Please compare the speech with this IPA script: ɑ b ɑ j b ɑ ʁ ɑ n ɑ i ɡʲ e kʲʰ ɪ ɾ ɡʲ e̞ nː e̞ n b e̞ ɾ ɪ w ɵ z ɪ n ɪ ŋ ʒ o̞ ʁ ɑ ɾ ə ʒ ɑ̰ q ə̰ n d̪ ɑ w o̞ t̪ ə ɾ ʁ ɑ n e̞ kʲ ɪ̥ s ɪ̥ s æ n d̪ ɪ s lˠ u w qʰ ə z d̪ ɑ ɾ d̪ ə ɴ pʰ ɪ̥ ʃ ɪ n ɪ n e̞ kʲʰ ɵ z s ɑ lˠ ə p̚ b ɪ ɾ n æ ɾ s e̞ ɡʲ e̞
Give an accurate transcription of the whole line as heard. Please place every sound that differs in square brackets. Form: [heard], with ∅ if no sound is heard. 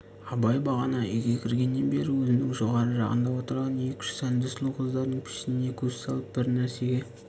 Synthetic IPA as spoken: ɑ b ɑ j b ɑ ʁ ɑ n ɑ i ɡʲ e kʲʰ ɪ ɾ ɡʲ e̞ nː e̞ n b e̞ ɾ ɪ w ɵ z ɪ n ɪ ŋ ʒ o̞ ʁ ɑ ɾ ə ʒ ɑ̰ q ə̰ n d̪ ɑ w o̞ t̪ ə ɾ ʁ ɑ n e̞ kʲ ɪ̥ [ʃ] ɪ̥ s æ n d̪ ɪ s lˠ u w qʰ ə z d̪ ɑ ɾ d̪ ə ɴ pʰ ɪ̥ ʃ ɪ n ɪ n e̞ kʲʰ ɵ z s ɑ lˠ ə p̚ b ɪ ɾ n æ ɾ s e̞ ɡʲ e̞